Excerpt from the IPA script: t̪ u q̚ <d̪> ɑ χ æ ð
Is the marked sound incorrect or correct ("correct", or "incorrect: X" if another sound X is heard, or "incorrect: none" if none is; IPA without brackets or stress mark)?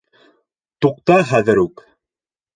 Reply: incorrect: t̪